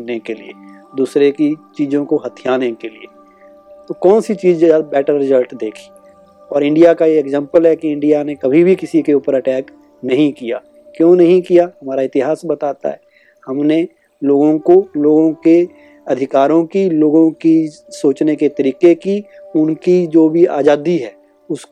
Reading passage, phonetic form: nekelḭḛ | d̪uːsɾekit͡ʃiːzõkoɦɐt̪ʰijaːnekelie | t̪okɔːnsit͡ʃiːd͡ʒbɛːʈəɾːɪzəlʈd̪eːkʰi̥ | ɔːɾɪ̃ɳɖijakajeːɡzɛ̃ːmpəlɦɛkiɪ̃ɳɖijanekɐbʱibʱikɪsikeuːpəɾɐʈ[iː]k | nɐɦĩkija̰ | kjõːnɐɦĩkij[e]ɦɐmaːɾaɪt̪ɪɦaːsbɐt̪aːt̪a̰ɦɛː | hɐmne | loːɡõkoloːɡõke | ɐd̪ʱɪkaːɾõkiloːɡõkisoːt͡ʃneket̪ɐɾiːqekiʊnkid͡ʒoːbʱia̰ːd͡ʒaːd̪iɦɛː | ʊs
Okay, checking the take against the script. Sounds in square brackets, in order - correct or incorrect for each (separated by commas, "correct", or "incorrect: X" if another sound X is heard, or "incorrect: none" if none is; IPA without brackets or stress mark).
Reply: incorrect: ɛː, incorrect: a